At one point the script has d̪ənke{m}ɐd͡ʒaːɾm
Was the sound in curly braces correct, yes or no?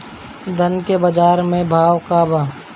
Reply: no